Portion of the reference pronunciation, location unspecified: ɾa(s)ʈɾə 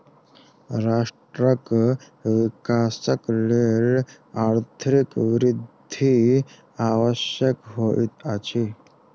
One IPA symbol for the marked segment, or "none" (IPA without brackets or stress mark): ʂ